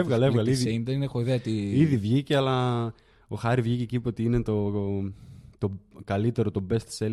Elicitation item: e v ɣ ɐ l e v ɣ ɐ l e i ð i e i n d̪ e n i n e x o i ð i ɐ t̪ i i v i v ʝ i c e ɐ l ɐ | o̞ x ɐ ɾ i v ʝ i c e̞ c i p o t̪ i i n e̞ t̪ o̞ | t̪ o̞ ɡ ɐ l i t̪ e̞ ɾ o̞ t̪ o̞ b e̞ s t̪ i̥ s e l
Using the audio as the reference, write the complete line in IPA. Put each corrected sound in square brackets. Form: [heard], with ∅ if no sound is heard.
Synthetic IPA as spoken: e v ɣ ɐ l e v ɣ ɐ l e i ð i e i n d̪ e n i n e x o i ð [e] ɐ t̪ i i [ð] i v ʝ i c e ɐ l ɐ | o̞ x ɐ ɾ i v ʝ i c e̞ c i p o t̪ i i n e̞ t̪ o̞ | t̪ o̞ [k] ɐ l i t̪ e̞ ɾ o̞ t̪ o̞ b e̞ s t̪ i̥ s e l